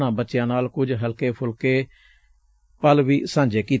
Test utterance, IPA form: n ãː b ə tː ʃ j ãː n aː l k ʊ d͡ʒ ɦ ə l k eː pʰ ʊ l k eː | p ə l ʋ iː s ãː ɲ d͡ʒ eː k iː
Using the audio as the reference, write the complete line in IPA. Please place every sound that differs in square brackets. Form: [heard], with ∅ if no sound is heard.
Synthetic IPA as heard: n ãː b ə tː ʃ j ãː n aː l k ʊ d͡ʒ ɦ ə l k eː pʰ ʊ l k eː | p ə l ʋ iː s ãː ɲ d͡ʒ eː k iː